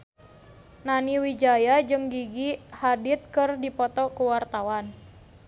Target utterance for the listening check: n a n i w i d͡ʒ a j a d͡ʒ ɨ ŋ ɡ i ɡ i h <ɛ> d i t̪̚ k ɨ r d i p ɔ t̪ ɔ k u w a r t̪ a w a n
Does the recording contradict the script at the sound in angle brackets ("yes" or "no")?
yes